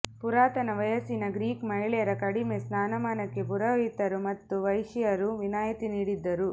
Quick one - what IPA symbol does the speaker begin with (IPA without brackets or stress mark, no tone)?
p